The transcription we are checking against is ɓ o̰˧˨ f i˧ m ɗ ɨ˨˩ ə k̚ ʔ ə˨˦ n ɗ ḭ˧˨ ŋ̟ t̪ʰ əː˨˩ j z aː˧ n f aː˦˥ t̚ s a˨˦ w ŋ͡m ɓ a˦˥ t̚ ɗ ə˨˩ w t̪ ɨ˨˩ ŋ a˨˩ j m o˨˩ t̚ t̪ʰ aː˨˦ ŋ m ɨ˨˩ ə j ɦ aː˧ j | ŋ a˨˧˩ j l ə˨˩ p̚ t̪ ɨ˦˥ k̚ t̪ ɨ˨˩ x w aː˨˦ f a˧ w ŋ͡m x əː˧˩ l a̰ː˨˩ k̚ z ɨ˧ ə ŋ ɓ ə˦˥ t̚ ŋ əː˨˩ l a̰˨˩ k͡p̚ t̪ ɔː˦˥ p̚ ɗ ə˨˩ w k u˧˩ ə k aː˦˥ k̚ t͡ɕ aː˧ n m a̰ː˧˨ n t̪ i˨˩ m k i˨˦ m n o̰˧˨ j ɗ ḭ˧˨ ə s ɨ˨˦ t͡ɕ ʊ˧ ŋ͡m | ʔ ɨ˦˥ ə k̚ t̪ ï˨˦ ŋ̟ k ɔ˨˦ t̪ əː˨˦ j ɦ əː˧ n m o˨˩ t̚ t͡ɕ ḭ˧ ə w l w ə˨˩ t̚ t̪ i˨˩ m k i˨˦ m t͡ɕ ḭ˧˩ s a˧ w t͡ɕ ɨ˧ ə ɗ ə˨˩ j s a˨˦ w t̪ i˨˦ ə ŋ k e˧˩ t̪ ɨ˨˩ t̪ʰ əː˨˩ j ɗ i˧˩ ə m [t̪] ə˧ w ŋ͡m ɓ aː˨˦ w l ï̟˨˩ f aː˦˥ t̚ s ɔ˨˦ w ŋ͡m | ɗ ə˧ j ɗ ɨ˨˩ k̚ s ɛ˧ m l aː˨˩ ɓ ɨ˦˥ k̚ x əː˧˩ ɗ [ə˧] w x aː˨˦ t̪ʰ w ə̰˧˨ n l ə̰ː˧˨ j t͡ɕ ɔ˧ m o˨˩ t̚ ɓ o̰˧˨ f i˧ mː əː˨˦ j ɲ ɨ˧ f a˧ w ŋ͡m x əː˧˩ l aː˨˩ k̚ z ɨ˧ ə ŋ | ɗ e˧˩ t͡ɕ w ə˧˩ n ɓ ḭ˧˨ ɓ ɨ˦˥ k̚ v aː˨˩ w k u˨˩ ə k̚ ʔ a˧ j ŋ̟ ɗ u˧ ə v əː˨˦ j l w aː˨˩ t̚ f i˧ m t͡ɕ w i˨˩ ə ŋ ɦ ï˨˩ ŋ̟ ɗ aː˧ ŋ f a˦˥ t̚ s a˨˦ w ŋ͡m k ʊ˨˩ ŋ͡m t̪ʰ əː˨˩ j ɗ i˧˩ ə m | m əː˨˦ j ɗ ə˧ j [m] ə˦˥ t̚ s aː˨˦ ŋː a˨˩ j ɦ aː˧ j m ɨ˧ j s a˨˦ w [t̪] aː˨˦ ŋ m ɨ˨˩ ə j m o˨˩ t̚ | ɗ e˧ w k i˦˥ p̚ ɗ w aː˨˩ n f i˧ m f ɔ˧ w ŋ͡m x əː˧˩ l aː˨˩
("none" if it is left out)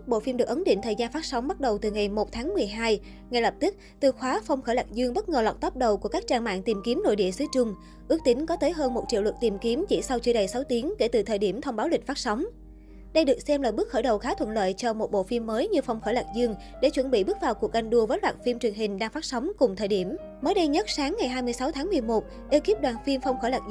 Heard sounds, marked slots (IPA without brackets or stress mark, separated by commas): t̪ʰ, ə˨˩, ɲ, t̪ʰ